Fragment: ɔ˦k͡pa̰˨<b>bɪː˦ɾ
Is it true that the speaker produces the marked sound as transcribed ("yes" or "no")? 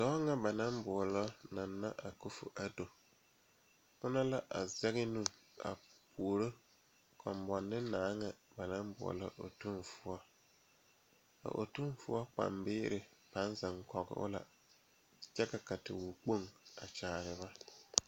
no